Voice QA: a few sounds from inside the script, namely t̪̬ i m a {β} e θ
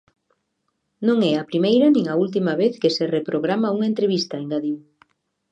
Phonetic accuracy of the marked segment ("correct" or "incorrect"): correct